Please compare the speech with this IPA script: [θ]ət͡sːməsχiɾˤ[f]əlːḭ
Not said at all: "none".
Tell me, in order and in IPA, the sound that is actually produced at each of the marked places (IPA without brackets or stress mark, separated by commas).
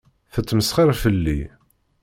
θ, f